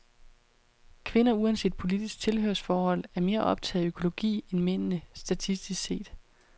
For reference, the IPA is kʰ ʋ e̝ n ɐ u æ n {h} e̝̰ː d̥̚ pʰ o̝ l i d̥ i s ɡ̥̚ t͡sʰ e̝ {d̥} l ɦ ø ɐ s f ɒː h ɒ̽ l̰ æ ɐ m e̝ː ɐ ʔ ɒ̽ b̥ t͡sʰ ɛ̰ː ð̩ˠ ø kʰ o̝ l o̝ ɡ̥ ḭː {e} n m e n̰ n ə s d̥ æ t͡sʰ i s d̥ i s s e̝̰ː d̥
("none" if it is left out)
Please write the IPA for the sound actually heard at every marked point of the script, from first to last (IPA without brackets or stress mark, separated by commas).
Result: s, none, e